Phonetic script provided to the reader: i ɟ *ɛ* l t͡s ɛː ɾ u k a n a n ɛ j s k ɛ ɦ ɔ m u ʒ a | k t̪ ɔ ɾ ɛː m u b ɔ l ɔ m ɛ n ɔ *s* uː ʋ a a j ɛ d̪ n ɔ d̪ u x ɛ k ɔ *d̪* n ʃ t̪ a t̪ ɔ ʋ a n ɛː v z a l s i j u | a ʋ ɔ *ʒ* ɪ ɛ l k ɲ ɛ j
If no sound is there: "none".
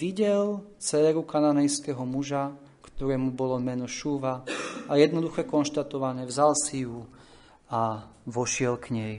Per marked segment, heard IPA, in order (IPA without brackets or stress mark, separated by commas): ɛ, ʃ, none, ʃ